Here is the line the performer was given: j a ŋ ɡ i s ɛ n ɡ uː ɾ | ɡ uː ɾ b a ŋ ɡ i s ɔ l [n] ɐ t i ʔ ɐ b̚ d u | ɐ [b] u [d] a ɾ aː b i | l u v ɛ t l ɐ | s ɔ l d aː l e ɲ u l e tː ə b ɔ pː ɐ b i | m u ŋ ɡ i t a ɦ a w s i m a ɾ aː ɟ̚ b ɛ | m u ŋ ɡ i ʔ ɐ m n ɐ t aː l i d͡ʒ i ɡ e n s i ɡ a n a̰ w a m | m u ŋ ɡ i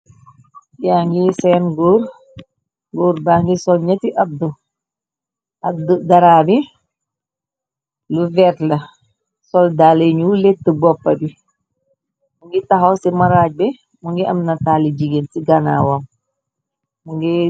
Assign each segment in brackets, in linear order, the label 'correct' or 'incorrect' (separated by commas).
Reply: incorrect, incorrect, correct